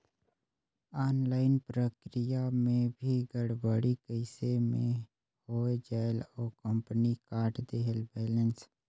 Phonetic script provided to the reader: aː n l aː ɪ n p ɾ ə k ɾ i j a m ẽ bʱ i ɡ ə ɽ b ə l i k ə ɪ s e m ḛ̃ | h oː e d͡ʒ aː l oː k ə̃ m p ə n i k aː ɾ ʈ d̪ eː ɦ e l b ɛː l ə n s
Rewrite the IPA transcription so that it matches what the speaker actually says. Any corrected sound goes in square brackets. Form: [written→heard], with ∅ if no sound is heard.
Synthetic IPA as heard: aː n l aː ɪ n p ɾ ə k ɾ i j a m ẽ bʱ i ɡ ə ɽ b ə [l→ɽ] i k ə ɪ s e m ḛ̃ | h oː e d͡ʒ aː l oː k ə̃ m p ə n i k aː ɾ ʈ d̪ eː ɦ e l b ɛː l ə n s